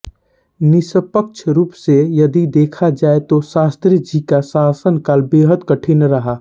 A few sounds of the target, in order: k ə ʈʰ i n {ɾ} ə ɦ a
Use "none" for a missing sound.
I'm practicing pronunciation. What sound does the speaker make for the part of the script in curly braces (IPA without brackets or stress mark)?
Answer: ɾ